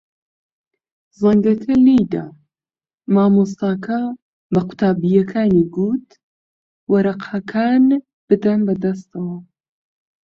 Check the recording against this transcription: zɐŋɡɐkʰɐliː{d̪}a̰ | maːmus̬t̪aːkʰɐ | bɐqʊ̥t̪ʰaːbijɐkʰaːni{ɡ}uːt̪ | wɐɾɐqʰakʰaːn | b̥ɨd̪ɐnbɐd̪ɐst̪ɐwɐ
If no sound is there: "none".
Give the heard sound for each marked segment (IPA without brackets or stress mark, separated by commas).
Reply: d̪, ɡ